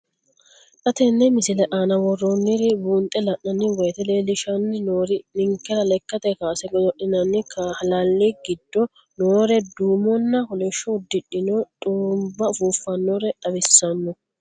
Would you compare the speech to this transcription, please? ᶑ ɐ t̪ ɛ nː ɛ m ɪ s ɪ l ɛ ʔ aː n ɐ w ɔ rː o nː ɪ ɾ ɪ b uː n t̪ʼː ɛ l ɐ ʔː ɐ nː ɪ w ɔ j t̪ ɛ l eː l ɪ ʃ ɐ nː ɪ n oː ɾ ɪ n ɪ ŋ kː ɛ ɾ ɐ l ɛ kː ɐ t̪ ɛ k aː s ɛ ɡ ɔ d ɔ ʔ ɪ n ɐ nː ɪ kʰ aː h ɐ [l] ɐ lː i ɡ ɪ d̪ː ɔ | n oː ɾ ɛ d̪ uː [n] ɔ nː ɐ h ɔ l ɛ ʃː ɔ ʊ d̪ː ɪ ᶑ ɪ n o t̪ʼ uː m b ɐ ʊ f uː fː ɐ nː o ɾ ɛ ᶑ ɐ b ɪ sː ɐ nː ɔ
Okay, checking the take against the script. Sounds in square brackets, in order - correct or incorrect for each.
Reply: correct, incorrect: m

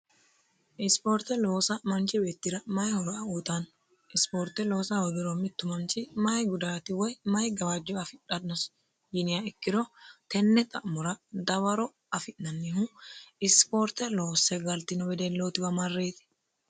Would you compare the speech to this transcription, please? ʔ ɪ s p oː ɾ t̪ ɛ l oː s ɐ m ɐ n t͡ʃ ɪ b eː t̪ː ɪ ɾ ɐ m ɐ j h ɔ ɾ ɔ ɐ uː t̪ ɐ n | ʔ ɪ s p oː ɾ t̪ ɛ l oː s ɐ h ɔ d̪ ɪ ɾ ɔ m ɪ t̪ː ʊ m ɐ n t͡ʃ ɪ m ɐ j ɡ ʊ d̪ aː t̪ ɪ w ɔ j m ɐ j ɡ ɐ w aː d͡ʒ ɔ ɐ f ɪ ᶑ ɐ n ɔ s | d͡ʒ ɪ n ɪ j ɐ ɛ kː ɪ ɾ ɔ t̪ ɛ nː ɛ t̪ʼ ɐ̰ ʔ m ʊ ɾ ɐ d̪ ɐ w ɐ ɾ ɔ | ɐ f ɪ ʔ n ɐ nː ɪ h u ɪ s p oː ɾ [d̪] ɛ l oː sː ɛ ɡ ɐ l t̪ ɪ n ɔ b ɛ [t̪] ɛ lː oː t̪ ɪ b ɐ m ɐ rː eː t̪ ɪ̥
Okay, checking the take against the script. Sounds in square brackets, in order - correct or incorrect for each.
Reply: incorrect: t̪, incorrect: d̪

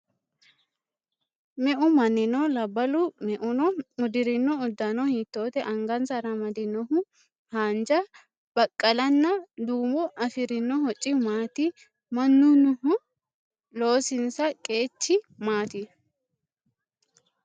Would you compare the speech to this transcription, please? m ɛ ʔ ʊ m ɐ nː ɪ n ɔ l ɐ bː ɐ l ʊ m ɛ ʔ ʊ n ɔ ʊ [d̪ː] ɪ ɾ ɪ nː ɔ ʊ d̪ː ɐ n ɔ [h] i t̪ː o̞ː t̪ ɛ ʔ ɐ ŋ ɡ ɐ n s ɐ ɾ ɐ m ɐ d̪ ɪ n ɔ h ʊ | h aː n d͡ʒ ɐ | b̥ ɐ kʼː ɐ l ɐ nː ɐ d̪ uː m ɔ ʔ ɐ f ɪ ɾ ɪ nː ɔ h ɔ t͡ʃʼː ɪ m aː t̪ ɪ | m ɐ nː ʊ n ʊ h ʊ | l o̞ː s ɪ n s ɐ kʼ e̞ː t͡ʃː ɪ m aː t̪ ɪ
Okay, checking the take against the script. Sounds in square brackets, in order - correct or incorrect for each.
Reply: incorrect: d̪, correct

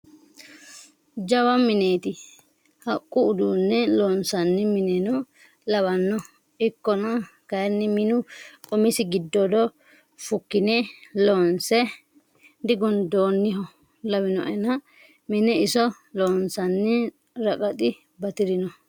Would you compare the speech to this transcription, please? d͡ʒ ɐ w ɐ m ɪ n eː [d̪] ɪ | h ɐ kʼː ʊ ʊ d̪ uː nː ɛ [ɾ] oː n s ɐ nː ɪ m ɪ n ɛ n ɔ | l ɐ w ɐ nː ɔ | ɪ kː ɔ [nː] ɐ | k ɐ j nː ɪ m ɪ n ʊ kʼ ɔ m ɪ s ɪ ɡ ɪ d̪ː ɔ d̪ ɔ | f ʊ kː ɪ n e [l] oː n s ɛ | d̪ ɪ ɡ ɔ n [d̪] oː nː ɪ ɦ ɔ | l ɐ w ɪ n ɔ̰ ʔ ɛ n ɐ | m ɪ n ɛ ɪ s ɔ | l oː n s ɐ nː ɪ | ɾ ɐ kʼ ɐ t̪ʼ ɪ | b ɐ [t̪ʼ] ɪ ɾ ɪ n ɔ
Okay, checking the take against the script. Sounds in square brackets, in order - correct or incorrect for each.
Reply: incorrect: t̪, incorrect: l, incorrect: n, correct, correct, incorrect: t̪

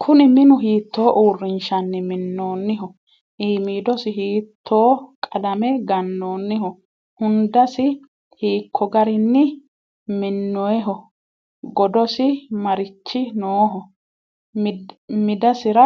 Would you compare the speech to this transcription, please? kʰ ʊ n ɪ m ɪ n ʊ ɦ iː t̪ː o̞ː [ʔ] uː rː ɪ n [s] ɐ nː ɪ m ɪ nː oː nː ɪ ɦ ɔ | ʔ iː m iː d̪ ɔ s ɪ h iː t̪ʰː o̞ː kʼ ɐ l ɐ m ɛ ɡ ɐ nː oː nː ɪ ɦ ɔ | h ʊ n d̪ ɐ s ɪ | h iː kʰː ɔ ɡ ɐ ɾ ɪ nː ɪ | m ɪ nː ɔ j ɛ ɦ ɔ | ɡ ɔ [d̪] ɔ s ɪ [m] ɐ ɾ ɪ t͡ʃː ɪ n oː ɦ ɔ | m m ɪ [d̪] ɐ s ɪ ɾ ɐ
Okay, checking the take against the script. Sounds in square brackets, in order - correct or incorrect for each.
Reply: correct, incorrect: ʃ, correct, correct, correct

